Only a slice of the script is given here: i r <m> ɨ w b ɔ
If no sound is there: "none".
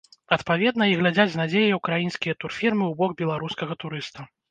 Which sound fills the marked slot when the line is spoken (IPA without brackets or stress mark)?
m